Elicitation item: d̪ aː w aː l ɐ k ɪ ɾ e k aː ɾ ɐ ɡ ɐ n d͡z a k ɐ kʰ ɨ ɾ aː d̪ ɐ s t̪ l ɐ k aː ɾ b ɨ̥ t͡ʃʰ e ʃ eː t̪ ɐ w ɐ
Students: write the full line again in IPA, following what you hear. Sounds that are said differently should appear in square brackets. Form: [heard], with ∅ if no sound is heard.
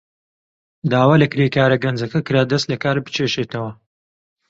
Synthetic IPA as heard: d̪ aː w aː l ɐ k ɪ ɾ e k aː ɾ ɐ ɡ ɐ n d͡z [ɐ] k ɐ [k] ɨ ɾ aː d̪ ɐ s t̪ l ɐ k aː ɾ b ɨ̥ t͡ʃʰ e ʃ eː t̪ ɐ w ɐ

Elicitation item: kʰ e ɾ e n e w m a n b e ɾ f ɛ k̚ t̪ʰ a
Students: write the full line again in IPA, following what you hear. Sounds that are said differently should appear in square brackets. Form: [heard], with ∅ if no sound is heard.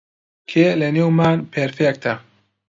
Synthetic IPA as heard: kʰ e [l] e n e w m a n [p] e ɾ f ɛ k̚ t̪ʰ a

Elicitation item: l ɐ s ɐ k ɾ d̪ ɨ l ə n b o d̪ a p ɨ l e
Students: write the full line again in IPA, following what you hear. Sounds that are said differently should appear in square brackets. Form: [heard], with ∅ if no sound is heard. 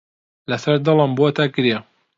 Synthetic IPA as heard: l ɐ s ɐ [∅] ɾ d̪ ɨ l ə [m] b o [t̪] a [k] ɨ [ɾ] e

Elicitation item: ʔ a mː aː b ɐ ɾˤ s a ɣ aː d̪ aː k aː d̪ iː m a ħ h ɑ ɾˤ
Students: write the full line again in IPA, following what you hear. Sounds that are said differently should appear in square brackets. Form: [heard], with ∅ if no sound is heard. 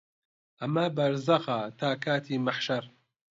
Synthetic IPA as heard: ʔ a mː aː b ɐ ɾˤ [z] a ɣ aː [t̪] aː k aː [t̪] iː m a ħ [ʃ] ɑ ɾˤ

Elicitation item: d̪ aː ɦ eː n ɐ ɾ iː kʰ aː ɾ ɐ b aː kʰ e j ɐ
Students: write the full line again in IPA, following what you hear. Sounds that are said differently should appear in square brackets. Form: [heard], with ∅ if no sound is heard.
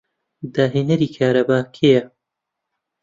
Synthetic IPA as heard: d̪ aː ɦ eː n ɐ ɾ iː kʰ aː ɾ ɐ b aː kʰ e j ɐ

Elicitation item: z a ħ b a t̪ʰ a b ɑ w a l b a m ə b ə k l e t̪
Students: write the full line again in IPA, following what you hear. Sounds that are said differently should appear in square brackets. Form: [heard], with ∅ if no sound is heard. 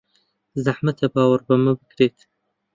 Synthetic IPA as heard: z a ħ [m] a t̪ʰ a b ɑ w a [ɾ] b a m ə b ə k [ɾ] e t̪

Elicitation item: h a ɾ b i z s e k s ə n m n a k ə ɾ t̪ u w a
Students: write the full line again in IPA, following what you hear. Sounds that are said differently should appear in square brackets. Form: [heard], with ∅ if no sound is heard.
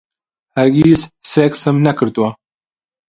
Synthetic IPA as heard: h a ɾ [ɡ] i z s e k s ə [∅] m n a k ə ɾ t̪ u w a

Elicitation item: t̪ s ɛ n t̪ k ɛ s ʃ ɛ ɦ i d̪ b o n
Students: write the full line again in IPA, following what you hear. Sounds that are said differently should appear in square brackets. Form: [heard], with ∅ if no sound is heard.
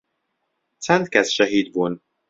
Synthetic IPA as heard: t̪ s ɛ n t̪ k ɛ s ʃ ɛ ɦ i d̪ b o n

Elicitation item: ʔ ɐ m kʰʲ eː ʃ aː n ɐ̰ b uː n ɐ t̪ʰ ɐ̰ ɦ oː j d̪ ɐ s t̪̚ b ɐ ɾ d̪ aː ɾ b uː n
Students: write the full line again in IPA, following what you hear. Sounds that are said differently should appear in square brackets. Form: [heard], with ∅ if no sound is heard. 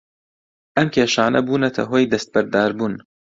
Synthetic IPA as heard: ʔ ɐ m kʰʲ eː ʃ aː n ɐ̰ b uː n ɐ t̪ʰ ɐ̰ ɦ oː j d̪ ɐ s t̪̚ b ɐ ɾ d̪ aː ɾ b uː n

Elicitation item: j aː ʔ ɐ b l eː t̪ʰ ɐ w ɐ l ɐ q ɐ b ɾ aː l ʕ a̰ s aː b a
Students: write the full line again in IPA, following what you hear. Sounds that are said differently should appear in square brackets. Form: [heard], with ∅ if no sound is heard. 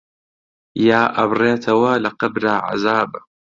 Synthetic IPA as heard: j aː ʔ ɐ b [r] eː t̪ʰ ɐ w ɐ l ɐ q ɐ b ɾ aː [∅] ʕ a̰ [z] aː b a

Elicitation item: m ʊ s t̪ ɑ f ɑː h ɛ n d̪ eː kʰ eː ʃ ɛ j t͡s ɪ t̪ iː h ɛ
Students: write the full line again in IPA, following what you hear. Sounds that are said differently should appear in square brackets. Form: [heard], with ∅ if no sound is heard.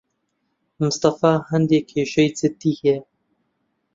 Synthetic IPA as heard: m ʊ s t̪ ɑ f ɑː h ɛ n d̪ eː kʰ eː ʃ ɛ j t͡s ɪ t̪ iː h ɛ

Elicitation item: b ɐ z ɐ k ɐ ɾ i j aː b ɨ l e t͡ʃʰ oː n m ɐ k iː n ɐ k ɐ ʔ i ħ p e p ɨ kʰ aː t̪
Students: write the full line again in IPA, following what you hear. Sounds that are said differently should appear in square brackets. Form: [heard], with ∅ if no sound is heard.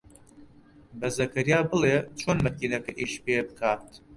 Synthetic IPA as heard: b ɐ z ɐ k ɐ ɾ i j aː b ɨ l e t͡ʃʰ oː n m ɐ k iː n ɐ k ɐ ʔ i [ʃ] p e [b] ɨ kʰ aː t̪

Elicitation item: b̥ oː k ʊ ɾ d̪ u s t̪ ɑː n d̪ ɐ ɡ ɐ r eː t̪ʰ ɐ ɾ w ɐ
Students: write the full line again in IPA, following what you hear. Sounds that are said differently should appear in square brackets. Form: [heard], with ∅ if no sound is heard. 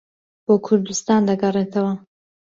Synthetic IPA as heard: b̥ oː [kʰ] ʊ ɾ d̪ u s t̪ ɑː n d̪ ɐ ɡ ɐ r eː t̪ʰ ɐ [∅] w ɐ

